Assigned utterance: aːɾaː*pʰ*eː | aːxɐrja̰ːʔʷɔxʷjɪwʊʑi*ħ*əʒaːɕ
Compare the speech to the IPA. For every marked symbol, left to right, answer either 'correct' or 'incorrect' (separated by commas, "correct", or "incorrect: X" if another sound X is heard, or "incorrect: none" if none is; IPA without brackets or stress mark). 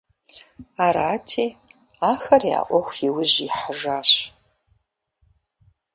incorrect: tʰ, correct